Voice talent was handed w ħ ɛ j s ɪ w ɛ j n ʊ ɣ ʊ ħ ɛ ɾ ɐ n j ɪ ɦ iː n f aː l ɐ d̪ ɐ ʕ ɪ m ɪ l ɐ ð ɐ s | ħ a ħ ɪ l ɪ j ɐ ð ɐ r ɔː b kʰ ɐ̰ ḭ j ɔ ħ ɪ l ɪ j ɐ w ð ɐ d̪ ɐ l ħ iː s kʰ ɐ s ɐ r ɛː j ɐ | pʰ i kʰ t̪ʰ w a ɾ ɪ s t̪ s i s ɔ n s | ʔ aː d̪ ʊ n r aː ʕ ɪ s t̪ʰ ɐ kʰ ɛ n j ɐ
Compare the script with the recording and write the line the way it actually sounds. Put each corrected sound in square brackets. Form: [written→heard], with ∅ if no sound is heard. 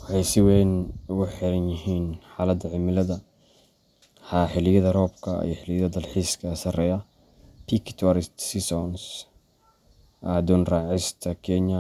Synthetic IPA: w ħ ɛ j s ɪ w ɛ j n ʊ ɣ ʊ ħ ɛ ɾ ɐ n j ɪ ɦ iː n [f→ħ] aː l ɐ d̪ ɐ ʕ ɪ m ɪ l ɐ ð ɐ [s→∅] | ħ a ħ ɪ l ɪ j ɐ ð ɐ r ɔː b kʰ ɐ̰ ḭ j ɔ ħ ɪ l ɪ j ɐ [w→∅] ð ɐ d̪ ɐ l ħ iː s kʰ ɐ s ɐ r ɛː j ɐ | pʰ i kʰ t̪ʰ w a ɾ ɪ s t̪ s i s ɔ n s | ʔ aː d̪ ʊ n r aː ʕ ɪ s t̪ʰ ɐ kʰ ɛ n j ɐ